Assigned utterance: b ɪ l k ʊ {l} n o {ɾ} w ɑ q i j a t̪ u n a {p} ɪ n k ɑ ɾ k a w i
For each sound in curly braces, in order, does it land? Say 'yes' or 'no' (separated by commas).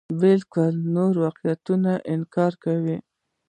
yes, yes, no